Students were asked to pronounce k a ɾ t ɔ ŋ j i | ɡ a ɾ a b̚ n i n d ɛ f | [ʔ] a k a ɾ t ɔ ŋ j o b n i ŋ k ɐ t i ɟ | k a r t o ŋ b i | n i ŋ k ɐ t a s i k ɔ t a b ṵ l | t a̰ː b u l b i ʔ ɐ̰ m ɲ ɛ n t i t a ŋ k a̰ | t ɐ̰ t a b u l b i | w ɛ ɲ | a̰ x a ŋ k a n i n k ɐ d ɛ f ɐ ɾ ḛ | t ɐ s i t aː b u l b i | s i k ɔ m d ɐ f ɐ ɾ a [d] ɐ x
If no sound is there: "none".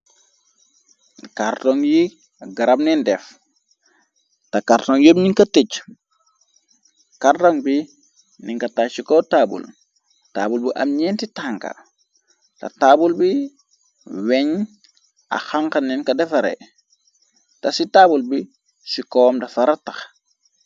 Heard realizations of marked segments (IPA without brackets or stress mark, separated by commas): t, t